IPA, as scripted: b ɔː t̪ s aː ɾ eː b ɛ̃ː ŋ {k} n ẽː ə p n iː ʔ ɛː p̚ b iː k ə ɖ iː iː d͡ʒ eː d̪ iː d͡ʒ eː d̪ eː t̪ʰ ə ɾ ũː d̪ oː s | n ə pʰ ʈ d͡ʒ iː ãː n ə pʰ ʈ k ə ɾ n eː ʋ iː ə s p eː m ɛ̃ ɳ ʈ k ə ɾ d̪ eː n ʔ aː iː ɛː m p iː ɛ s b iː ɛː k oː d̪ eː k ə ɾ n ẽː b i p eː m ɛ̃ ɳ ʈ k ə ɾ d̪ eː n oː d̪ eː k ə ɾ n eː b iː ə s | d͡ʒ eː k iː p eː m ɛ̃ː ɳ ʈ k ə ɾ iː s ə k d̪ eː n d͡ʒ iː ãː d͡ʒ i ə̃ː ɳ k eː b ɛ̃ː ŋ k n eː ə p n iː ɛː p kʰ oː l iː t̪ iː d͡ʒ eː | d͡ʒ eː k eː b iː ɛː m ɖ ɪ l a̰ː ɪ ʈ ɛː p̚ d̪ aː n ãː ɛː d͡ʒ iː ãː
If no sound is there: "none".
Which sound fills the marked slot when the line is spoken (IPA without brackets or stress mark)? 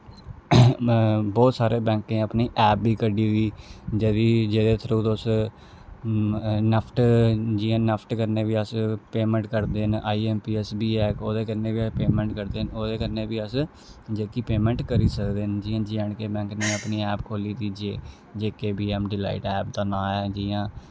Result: k